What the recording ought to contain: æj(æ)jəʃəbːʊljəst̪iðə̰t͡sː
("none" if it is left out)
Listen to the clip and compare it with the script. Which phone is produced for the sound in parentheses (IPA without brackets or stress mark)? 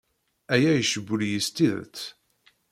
æ